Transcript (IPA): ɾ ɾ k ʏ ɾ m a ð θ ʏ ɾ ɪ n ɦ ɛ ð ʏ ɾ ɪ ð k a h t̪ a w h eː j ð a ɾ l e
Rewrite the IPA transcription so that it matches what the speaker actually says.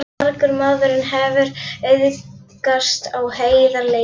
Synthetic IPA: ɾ ɾ k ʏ ɾ m a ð ð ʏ ɾ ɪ n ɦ ɛ v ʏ ɾ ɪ ð k a s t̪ a w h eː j ð a ɾ l e